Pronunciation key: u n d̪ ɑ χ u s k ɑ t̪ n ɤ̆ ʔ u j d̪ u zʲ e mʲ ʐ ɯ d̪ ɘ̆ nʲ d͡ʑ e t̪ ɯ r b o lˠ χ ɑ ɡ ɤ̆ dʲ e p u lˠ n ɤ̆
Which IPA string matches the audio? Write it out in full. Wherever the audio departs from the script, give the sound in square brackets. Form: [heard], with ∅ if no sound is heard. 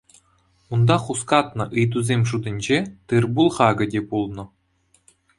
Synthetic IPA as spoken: u n d̪ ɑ χ u s k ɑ t̪ n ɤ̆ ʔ [ɯ] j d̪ u zʲ e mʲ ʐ [u] d̪ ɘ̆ nʲ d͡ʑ e t̪ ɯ r b [u] lˠ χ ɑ ɡ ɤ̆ dʲ e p u lˠ n ɤ̆